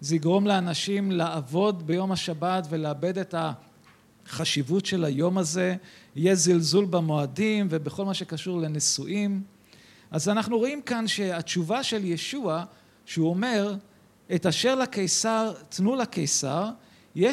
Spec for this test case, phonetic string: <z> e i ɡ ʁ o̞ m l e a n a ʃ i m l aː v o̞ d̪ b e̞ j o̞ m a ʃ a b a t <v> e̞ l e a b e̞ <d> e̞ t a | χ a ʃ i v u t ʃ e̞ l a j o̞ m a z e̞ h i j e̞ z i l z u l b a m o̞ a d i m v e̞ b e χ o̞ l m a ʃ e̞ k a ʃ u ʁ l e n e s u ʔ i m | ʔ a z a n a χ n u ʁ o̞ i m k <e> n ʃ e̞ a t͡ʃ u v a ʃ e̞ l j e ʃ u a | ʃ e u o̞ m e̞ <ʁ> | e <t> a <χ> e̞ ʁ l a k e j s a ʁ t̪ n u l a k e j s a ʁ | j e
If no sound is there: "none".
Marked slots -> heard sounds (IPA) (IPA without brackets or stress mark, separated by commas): z, v, d, a, ʁ, t, ʃ